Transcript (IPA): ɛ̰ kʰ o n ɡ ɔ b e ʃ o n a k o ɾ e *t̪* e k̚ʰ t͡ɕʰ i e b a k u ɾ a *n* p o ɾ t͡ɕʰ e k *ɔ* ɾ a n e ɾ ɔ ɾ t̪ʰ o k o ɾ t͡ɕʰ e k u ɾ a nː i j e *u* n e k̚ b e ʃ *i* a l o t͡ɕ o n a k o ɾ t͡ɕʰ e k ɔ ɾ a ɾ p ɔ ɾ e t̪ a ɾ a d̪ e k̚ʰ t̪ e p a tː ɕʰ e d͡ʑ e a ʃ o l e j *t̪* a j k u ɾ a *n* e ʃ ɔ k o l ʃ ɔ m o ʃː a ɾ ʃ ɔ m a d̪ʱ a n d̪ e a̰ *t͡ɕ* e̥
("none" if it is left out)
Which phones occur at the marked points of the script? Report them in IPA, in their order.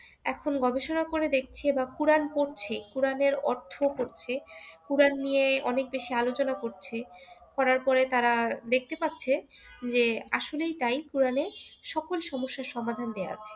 d̪, n, u, ɔ, i, t̪, n, t͡ɕʰ

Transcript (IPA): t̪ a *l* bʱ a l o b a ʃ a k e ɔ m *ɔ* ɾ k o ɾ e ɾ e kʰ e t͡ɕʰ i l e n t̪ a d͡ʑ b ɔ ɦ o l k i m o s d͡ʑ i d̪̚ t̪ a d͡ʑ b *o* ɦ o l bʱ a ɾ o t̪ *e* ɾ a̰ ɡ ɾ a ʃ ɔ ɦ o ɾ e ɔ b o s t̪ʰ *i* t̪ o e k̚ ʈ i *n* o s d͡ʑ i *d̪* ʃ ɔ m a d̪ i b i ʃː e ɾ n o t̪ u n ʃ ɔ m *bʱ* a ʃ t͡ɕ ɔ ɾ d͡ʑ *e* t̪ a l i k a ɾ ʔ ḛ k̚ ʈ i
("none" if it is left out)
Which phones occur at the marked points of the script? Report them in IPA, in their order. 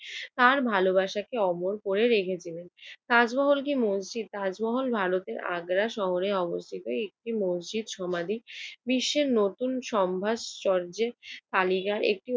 ɾ, o, ɔ, e, i, m, d̪, bʱ, e

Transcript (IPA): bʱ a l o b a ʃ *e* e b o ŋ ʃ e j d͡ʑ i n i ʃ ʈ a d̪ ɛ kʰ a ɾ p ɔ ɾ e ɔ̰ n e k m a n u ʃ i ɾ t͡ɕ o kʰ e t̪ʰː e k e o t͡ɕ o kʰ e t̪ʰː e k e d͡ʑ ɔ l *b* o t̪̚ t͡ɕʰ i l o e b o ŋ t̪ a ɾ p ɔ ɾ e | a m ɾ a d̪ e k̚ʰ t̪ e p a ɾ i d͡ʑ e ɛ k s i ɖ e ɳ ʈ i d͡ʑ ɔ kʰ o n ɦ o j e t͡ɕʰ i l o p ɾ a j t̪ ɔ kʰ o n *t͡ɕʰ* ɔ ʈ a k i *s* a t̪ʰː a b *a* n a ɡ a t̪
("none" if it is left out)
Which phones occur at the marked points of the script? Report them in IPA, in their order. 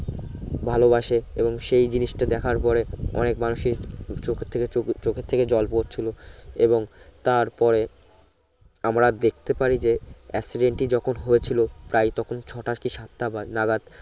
e, p, t͡ɕʰ, ʃ, a

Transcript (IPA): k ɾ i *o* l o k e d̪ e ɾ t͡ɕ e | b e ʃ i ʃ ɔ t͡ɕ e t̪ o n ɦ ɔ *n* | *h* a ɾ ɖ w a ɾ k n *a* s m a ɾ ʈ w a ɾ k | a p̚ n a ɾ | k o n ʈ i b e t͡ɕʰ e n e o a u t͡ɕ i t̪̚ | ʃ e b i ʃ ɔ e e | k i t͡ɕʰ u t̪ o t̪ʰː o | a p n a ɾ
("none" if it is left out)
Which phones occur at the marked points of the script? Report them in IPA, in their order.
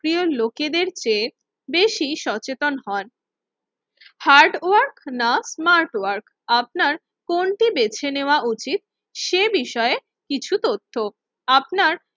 o, n, h, a

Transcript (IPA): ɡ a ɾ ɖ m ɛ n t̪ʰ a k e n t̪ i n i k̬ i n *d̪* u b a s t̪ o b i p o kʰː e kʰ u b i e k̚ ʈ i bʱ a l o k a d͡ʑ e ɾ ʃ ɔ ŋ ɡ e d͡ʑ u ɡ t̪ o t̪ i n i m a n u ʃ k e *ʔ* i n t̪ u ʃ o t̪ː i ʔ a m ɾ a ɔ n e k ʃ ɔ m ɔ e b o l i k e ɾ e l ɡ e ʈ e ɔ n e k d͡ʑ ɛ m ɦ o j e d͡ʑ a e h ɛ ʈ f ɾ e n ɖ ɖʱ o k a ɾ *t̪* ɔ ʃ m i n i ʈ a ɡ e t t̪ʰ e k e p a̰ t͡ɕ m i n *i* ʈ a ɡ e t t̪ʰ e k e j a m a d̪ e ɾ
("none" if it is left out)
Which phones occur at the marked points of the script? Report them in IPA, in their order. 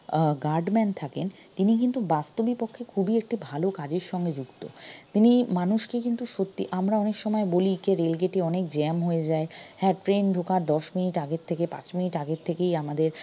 t̪, k, d̪, i

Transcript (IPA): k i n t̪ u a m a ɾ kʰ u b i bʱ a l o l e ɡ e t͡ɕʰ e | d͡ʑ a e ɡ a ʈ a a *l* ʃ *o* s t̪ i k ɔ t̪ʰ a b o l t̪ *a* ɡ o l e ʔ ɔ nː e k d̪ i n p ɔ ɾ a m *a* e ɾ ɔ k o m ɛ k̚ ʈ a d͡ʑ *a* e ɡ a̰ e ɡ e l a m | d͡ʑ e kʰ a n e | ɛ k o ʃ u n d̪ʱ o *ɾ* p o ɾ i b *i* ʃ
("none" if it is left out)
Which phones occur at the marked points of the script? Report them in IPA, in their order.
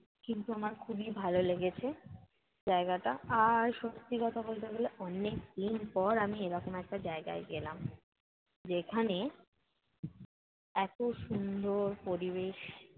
ɾ, o, e, i, a, ɾ, e

